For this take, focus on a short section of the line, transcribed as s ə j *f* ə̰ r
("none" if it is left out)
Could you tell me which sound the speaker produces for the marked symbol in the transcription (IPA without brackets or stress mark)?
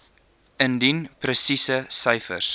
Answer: f